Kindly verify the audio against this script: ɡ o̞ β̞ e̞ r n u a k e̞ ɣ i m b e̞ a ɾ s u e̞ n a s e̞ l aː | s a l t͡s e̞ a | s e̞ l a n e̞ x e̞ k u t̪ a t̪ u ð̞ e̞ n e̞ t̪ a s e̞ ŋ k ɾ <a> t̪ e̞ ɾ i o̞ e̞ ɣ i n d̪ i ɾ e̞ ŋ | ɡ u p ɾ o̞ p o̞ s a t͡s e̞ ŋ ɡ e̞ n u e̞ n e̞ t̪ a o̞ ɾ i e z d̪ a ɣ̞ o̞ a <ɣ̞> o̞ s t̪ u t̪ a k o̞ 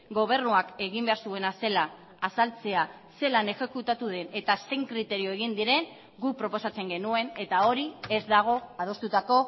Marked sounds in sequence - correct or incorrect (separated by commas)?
incorrect, incorrect